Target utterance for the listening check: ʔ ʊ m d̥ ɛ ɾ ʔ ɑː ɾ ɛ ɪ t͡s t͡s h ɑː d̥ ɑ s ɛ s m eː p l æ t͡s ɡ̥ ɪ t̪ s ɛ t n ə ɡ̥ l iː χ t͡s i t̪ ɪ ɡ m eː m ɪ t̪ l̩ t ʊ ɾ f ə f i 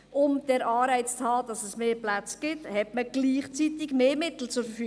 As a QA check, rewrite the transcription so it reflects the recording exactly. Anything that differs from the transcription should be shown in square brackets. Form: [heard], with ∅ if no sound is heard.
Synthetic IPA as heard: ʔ ʊ m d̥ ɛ ɾ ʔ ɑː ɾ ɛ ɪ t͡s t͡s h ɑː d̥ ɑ s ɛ s m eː p l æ t͡s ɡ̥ ɪ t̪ [h] ɛ t [m] ə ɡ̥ l iː χ t͡s i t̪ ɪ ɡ m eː m ɪ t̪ l̩ [t͡s] ʊ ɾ f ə f [y]